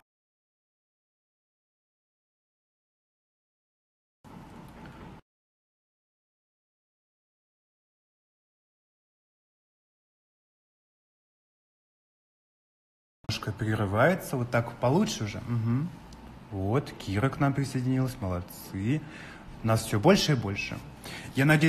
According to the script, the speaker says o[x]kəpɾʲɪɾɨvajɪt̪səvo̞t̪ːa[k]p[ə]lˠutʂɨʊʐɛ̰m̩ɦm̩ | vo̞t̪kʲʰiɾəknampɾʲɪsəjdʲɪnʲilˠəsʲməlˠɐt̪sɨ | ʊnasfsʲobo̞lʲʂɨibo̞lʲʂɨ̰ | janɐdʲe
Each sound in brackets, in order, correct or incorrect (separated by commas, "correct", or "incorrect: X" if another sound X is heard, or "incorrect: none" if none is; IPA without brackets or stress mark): incorrect: ʂ, correct, incorrect: ɐ